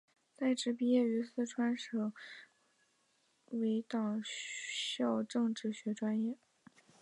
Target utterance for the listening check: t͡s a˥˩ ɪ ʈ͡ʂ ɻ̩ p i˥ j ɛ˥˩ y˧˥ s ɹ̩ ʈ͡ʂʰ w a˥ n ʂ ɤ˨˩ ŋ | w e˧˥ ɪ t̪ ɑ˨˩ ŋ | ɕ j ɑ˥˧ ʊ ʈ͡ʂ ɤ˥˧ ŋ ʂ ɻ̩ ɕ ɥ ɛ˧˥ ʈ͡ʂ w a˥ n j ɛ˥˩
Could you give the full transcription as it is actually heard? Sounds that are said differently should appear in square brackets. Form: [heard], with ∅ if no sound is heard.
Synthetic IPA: t͡s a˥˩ ɪ ʈ͡ʂ ɻ̩ p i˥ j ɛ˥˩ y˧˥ s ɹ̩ ʈ͡ʂʰ w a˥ n ʂ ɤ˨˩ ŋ | w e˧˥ ɪ t̪ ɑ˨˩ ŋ | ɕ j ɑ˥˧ ʊ ʈ͡ʂ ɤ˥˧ ŋ [ʈ͡ʂ] ɻ̩ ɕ ɥ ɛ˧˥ ʈ͡ʂ w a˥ n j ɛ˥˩